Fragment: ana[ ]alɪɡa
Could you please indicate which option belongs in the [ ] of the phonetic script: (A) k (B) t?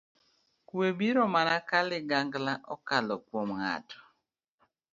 A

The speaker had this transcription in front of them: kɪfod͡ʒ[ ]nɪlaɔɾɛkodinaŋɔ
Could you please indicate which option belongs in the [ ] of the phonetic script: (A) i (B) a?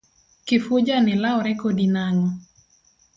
B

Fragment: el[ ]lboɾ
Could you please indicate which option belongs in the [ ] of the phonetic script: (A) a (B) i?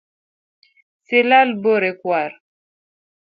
A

